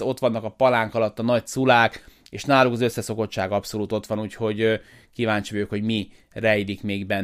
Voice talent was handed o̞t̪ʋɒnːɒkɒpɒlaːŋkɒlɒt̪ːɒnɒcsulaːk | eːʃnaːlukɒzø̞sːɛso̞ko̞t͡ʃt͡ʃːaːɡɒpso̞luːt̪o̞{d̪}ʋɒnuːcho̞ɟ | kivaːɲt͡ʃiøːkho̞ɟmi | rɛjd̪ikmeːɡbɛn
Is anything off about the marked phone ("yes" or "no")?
yes